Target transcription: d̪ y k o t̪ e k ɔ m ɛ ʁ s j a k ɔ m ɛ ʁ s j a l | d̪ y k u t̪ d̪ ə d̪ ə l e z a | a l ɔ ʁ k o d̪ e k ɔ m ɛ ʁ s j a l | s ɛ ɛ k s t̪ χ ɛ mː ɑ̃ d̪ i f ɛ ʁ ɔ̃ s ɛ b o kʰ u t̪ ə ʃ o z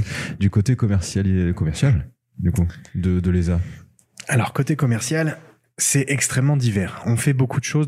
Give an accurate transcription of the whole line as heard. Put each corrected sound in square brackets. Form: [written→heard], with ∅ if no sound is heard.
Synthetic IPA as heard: d̪ y k o t̪ e k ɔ m ɛ ʁ s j a k ɔ m ɛ ʁ s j a l | d̪ y k u [t̪→∅] d̪ ə d̪ ə l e z a | a l ɔ ʁ k o [d̪→t̪] e k ɔ m ɛ ʁ s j a l | s ɛ ɛ k s t̪ χ ɛ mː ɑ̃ d̪ i [f→v] ɛ ʁ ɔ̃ [s→f] ɛ b o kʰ u [t̪→d̪] ə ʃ o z